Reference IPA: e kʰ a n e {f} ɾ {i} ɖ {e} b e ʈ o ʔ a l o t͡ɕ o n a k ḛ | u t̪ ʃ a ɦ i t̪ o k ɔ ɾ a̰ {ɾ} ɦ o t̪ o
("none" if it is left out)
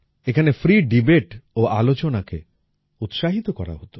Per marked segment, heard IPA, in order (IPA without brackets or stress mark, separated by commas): f, i, i, none